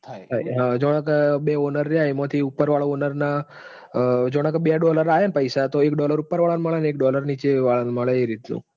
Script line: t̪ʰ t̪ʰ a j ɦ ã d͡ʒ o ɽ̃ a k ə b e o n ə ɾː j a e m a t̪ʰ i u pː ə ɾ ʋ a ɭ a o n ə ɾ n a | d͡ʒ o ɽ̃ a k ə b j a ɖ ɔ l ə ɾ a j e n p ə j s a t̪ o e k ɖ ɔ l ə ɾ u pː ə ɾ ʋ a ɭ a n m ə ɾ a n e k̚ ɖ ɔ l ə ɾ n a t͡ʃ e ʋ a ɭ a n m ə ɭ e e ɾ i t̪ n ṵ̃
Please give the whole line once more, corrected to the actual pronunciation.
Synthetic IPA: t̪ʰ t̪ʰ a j ɦ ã d͡ʒ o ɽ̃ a k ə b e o n ə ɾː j a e m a t̪ʰ i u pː ə ɾ ʋ a ɭ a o n ə ɾ n a | d͡ʒ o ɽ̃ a k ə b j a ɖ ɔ l ə ɾ a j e n p ə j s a t̪ o e k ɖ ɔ l ə ɾ u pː ə ɾ ʋ a ɭ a n m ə ɭ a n e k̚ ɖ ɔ l ə ɾ n i t͡ʃ e ʋ a ɭ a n m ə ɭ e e ɾ i t̪ n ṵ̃